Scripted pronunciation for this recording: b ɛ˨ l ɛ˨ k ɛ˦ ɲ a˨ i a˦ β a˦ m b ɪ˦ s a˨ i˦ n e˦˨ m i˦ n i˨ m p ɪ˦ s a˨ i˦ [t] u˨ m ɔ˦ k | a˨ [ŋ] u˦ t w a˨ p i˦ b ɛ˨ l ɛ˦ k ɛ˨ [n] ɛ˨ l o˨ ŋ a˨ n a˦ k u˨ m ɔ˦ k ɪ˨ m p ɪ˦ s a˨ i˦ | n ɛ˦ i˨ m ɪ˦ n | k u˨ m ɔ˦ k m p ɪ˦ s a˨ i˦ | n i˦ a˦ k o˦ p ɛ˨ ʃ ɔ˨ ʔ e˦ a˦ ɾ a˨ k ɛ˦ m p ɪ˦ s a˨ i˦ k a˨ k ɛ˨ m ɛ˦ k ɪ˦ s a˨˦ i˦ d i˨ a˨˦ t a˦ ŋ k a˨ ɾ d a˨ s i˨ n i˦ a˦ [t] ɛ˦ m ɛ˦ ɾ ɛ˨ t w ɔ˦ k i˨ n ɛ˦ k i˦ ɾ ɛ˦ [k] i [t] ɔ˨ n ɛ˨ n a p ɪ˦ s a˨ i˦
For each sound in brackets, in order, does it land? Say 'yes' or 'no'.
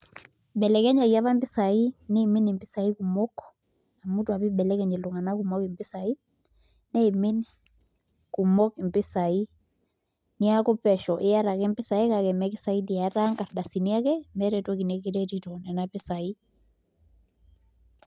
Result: no, no, no, no, no, yes

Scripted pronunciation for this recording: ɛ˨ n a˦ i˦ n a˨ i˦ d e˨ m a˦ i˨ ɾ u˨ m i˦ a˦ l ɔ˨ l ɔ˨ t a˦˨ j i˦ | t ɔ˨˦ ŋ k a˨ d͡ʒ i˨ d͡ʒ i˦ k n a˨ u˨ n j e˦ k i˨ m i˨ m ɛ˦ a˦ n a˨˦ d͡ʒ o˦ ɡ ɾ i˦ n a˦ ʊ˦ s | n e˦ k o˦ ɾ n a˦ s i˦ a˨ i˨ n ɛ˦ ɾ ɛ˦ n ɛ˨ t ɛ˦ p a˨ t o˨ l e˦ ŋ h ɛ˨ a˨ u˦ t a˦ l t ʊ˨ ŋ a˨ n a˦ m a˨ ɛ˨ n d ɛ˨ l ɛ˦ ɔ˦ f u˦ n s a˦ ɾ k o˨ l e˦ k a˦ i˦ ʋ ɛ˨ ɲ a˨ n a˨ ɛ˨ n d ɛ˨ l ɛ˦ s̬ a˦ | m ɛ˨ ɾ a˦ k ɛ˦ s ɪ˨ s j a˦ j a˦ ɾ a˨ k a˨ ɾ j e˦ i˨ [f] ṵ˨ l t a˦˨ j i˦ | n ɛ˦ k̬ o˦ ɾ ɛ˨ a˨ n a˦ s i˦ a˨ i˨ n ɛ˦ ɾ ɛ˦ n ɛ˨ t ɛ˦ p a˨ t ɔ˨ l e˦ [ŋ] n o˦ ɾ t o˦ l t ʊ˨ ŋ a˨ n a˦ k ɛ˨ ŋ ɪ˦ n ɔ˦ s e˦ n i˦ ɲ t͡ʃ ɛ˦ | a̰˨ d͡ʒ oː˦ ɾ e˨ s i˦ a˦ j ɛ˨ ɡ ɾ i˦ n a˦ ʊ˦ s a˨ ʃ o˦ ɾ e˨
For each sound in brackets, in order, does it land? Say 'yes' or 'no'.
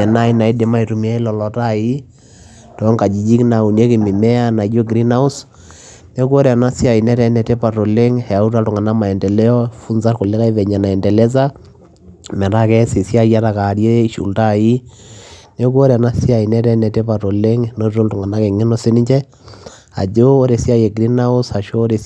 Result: no, yes

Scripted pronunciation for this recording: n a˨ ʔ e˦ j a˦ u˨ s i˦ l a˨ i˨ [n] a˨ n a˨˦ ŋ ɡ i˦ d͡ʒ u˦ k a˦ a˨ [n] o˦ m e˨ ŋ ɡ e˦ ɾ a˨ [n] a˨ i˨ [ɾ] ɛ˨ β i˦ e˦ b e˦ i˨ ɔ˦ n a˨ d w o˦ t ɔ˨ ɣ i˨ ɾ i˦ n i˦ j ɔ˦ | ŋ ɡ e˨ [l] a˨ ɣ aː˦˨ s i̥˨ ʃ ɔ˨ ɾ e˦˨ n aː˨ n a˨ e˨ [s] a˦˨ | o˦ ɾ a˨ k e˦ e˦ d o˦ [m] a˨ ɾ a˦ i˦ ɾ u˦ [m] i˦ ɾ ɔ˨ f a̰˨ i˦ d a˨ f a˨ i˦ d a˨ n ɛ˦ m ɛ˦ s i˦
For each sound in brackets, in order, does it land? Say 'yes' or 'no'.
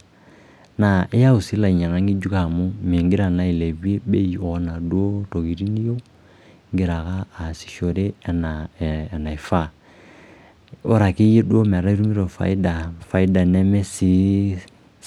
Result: no, no, yes, no, no, no, yes, yes

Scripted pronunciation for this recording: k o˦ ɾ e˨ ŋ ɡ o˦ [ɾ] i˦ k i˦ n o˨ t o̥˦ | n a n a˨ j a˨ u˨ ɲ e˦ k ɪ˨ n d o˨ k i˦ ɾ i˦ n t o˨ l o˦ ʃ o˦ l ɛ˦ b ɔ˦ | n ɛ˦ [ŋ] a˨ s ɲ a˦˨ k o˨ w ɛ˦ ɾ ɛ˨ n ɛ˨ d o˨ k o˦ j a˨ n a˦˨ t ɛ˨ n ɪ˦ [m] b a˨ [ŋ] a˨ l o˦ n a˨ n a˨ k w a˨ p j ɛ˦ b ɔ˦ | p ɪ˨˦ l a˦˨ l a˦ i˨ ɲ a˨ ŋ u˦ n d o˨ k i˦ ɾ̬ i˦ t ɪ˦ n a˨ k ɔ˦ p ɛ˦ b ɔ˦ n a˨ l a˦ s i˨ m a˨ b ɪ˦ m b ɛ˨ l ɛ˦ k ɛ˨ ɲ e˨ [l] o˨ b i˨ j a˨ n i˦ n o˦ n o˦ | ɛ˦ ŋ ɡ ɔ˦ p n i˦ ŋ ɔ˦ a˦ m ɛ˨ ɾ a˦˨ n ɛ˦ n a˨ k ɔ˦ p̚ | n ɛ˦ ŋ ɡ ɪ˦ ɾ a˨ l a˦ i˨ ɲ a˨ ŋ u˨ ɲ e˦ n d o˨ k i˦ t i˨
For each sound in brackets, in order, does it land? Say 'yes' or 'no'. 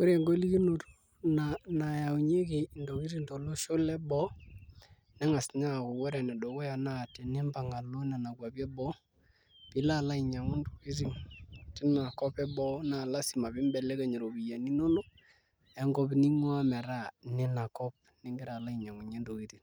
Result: no, yes, yes, yes, no

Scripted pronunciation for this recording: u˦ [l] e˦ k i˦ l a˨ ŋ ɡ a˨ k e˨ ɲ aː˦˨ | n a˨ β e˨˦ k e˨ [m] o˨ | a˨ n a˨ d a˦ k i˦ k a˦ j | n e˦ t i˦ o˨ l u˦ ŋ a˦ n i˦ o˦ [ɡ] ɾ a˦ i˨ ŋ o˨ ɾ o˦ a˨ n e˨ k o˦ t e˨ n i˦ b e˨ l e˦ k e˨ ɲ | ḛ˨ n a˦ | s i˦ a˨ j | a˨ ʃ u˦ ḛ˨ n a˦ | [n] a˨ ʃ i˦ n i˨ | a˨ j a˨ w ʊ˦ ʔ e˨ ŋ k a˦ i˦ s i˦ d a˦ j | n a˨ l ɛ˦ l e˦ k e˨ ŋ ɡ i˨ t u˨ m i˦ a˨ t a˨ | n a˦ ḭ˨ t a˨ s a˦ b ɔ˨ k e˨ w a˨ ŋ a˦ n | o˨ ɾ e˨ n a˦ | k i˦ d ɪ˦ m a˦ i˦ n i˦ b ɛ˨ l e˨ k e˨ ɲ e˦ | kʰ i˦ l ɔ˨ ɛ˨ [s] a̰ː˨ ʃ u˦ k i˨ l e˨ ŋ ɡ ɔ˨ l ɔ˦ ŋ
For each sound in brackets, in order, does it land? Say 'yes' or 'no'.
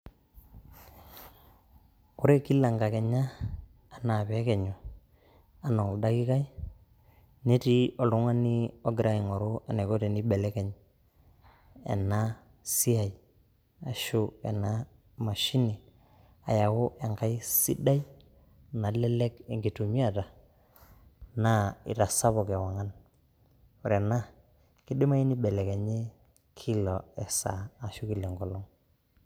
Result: no, no, yes, no, yes

